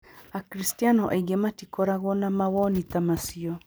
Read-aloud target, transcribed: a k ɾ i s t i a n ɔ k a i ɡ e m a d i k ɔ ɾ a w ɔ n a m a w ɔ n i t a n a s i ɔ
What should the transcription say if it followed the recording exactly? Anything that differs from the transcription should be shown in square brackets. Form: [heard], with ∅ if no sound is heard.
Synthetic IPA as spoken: a k ɾ i s t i a n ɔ [ʔ] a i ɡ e m a [t] i k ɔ ɾ a [ɣ] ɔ n a m a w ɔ n i t a [m] a s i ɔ